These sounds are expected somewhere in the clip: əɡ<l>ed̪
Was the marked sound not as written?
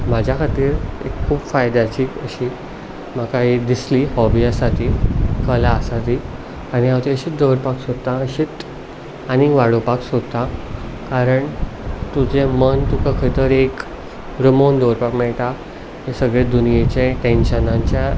yes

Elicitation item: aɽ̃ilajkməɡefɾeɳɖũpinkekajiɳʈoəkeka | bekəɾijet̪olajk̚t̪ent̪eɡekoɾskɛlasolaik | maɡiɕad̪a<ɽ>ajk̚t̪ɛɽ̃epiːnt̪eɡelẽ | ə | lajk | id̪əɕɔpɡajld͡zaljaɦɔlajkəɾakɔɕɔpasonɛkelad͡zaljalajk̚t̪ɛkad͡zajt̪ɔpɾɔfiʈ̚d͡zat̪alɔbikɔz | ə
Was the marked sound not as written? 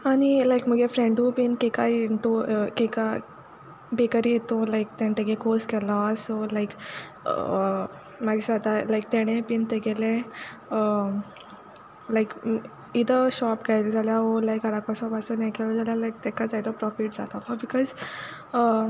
yes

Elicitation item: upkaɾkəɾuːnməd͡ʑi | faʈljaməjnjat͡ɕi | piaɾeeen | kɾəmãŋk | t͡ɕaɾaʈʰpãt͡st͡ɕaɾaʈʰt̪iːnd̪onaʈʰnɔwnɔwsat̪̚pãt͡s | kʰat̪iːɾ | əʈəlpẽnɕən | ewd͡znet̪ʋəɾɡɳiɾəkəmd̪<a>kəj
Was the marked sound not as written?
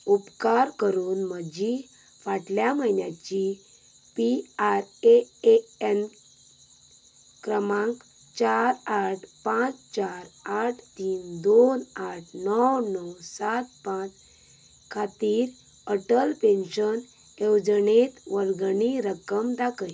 no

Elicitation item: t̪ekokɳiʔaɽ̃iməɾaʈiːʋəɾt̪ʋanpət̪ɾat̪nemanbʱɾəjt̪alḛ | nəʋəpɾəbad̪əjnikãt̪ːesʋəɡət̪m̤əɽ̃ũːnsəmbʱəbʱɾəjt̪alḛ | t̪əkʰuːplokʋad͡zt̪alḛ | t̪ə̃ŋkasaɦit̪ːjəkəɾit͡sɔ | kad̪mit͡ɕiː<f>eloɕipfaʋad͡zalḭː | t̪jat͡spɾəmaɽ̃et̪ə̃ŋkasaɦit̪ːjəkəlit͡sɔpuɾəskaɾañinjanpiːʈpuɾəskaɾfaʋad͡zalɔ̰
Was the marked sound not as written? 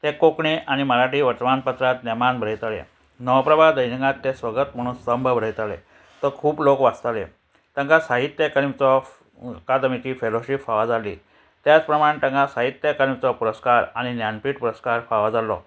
no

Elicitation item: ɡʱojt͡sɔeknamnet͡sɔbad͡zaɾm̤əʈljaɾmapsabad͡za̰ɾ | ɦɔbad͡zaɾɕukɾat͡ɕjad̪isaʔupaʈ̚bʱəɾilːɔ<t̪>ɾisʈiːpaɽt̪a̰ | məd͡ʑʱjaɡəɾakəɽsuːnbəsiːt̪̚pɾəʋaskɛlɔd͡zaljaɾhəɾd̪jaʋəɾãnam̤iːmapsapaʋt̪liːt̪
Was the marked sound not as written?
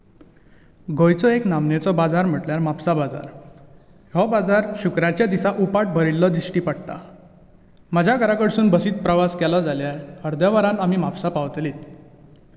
yes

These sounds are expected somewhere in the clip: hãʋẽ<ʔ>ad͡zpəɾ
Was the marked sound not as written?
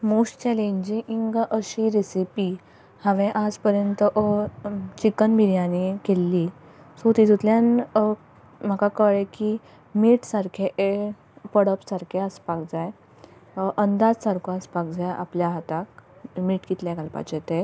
no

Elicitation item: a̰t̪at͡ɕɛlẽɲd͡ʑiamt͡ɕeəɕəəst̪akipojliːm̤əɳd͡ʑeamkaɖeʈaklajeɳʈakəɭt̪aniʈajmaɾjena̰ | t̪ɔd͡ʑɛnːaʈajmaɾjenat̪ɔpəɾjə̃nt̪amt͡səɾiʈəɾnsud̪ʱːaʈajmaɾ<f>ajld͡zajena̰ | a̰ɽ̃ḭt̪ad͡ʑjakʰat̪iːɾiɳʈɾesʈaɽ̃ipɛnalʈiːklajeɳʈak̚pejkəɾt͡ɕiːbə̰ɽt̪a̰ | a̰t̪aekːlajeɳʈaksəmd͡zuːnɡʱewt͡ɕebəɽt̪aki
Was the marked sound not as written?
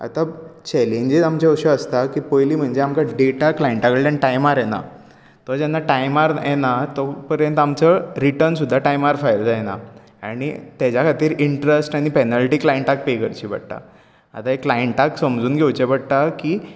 no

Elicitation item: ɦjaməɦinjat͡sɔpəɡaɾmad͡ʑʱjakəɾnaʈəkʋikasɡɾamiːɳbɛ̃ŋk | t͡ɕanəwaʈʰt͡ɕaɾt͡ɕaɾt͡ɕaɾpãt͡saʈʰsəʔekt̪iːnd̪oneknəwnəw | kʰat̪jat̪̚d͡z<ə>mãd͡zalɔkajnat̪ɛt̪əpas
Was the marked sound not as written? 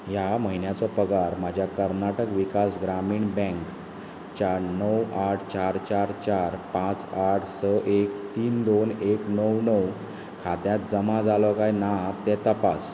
no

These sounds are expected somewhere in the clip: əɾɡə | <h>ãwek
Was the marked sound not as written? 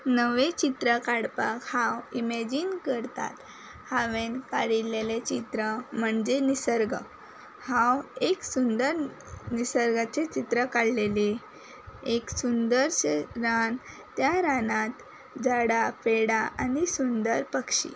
no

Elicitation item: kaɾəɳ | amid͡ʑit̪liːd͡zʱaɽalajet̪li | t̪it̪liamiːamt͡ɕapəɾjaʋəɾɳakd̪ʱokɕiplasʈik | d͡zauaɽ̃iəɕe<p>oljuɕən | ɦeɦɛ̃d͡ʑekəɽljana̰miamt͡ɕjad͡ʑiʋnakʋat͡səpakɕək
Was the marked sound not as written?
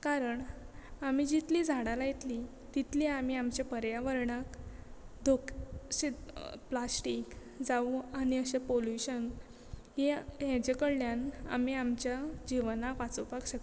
no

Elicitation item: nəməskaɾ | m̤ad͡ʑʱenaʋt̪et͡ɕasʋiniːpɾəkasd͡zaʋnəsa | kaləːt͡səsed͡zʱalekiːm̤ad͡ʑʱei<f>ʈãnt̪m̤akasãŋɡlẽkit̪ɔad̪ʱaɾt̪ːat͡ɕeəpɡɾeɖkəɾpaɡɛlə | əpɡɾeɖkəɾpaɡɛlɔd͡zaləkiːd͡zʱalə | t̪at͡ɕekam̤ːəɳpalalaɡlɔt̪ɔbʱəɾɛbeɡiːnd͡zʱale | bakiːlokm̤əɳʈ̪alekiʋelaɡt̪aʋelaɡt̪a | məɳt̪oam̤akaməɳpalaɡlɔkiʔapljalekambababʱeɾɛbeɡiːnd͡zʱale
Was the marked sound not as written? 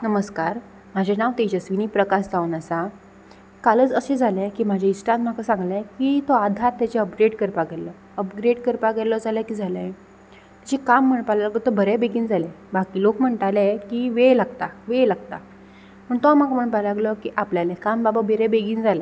yes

